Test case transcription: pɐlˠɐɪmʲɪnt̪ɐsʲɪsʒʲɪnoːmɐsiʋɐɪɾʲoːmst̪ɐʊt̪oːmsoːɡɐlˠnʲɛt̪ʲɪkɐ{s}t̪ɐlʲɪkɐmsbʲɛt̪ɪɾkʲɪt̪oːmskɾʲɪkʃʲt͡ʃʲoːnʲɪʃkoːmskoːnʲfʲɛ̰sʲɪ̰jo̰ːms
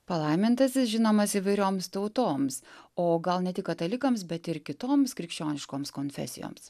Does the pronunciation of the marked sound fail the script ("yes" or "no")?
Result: yes